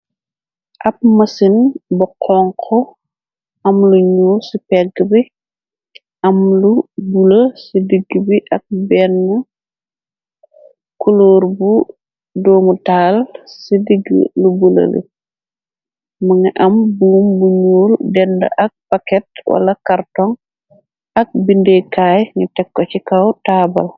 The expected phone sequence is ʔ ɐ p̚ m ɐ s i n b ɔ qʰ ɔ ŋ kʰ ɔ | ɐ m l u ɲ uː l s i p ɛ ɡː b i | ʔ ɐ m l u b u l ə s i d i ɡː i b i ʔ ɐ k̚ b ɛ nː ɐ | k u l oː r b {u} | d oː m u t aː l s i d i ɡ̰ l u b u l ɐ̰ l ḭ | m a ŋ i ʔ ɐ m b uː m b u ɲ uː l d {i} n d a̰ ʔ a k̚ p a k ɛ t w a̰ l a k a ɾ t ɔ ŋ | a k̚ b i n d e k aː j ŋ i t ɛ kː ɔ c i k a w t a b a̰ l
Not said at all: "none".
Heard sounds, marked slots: u, ɛ

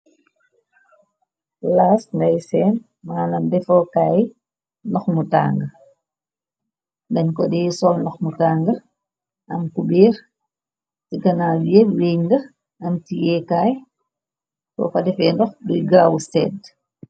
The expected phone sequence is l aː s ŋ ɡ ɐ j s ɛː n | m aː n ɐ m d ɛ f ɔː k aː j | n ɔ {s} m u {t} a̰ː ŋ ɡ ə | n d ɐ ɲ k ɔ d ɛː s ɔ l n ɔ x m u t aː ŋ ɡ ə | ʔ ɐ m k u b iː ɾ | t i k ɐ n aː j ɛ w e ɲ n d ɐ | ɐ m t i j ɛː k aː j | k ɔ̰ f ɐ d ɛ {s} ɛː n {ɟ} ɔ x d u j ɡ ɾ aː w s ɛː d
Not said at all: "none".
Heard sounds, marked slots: x, t, f, d

